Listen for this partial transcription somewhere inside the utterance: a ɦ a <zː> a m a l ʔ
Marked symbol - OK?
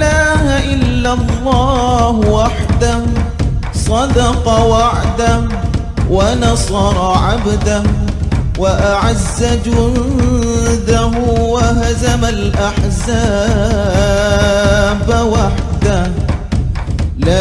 no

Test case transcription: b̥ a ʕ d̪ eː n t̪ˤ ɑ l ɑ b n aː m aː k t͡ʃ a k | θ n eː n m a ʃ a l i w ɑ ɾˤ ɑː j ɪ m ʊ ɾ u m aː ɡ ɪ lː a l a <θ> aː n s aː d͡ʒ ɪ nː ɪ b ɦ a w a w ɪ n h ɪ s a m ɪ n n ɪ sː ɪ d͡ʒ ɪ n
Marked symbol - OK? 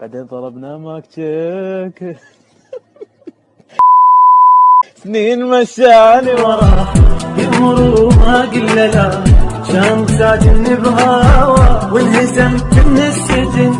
no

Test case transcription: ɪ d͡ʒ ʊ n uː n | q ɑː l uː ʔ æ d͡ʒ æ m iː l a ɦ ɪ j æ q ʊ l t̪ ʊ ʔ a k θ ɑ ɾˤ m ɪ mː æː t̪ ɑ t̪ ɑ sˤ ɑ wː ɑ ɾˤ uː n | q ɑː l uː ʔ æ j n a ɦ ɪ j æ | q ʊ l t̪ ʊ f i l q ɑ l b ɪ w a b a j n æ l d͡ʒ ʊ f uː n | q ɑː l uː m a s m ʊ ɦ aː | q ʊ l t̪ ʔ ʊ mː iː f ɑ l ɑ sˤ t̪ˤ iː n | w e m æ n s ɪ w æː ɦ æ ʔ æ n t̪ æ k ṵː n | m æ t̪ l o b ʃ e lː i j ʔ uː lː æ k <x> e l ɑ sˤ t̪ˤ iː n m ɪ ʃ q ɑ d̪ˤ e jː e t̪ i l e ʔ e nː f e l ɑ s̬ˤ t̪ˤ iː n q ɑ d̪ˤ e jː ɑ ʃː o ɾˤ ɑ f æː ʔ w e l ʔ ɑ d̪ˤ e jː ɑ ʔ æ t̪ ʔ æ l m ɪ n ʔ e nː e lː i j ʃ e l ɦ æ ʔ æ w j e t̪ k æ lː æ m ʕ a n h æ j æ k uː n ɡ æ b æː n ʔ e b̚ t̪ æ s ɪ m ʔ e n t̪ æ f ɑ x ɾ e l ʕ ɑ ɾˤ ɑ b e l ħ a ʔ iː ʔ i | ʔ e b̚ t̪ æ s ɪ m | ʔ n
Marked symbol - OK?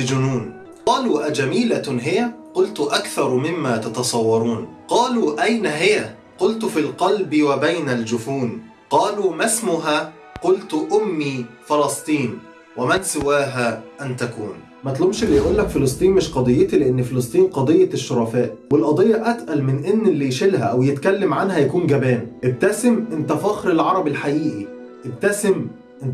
no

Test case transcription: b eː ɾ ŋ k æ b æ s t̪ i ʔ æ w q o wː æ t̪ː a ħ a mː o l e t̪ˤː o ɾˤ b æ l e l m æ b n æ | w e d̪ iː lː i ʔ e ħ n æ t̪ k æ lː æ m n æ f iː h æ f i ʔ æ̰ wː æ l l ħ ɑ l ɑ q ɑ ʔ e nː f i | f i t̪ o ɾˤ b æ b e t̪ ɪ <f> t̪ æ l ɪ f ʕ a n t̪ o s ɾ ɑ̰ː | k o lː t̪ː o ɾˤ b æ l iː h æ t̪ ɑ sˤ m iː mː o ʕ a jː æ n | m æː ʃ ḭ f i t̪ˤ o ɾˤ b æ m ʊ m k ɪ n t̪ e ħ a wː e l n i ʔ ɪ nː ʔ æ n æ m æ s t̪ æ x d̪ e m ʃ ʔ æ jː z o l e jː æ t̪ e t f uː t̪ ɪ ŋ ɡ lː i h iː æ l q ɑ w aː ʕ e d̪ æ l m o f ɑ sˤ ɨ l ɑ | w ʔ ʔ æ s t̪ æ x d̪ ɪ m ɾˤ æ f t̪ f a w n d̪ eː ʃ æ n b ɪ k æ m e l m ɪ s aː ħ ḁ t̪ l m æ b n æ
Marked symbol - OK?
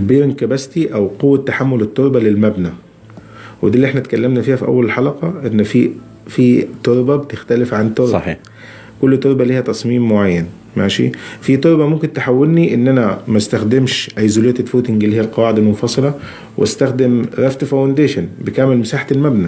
no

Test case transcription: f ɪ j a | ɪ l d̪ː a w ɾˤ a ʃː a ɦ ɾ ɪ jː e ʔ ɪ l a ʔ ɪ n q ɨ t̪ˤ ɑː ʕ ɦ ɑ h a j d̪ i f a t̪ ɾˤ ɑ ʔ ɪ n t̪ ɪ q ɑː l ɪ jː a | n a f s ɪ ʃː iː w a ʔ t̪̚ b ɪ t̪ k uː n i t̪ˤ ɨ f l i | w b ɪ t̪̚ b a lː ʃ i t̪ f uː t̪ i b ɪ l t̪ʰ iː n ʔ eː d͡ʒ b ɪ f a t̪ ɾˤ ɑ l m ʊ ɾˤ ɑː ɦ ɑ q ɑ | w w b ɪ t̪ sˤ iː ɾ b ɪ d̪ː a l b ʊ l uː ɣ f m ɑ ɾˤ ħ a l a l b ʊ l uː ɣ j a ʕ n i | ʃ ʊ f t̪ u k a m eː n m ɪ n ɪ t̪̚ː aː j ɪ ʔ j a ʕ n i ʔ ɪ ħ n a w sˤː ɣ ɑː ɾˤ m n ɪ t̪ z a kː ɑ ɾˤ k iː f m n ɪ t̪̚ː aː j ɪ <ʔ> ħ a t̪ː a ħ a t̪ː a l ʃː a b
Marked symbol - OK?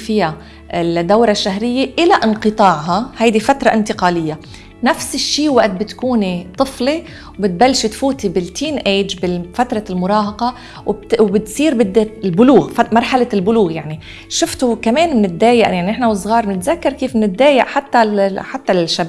yes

